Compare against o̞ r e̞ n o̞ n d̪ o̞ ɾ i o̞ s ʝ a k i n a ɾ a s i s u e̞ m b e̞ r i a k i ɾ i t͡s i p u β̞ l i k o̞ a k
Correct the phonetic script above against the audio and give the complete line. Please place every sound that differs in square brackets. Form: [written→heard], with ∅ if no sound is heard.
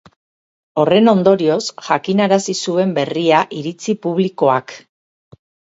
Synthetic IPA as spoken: o̞ r e̞ n o̞ n d̪ o̞ ɾ i o̞ s ʝ a k i n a ɾ a s i s u e̞ m b e̞ r i a [k→ʔ] i ɾ i t͡s i p u β̞ l i k o̞ a k